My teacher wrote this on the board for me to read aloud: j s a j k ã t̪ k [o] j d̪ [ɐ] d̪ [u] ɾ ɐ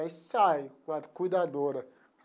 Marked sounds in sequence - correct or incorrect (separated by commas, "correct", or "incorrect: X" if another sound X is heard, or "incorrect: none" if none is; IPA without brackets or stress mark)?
incorrect: u, incorrect: a, incorrect: o